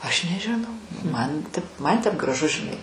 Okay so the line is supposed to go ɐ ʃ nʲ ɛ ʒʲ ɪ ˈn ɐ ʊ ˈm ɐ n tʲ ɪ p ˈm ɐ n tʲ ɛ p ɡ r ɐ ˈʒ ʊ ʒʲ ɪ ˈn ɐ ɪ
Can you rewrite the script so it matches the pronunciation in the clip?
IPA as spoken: ɐ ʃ nʲ ɛ ʒʲ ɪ ˈn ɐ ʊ ˈm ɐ n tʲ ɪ p ˈm ɐ n tʲ ɛ p ɡ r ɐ ˈʒ ʊ ʒʲ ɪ ˈn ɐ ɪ